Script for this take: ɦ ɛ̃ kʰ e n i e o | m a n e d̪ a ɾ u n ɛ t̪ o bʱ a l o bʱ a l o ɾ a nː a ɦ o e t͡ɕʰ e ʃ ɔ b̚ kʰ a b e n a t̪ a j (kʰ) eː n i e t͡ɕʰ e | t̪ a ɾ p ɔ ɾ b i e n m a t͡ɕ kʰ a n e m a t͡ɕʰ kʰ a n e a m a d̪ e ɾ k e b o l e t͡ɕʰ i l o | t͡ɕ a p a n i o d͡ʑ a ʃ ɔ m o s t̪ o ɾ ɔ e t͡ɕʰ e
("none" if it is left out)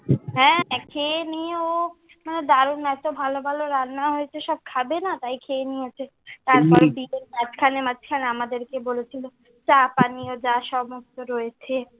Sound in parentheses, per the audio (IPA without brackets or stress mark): kʰ